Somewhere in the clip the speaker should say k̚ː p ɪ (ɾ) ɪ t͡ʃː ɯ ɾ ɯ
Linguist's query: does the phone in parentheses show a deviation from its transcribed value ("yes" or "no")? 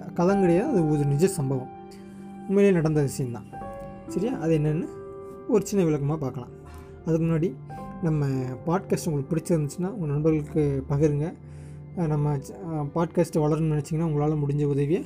yes